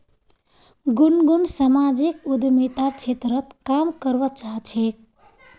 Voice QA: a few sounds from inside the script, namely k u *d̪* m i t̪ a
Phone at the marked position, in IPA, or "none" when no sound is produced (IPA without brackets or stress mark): d̪